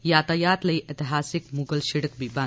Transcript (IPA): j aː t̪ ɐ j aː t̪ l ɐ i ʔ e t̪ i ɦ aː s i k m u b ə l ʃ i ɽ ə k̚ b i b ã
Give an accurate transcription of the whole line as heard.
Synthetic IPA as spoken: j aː t̪ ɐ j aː t̪ l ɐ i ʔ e t̪ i ɦ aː s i k m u ɡ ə l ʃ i ɽ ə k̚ b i b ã